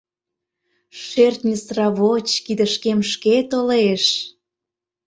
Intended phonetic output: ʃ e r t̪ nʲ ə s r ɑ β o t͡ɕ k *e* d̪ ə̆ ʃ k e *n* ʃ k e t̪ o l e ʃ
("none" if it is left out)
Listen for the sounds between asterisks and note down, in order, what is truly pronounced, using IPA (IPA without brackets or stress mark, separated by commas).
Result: i, m